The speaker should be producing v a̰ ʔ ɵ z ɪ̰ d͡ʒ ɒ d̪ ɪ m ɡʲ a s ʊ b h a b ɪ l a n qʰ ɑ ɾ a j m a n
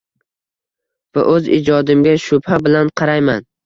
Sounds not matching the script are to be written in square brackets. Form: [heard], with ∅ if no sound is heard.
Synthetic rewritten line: v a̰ ʔ ɵ z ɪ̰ d͡ʒ ɒ d̪ ɪ m ɡʲ a [ʃ] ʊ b h a b ɪ l a n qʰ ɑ ɾ a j m a n